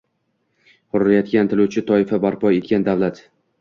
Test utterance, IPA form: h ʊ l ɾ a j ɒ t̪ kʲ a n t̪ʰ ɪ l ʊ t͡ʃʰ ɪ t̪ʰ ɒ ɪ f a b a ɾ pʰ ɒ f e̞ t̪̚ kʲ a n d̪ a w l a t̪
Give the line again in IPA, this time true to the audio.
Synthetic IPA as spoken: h ʊ ɾ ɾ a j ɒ t̪ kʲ a n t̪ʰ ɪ l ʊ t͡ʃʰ ɪ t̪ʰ ɒ ɪ f a b a ɾ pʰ ɒ e̞ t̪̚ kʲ a n d̪ a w l a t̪